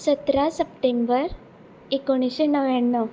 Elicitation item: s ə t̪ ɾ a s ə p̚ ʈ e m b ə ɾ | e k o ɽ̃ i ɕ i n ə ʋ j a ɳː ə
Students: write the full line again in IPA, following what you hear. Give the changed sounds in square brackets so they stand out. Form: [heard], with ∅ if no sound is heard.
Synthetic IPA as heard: s ə t̪ ɾ a s ə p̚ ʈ e m b ə ɾ | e k o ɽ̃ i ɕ [e] n ə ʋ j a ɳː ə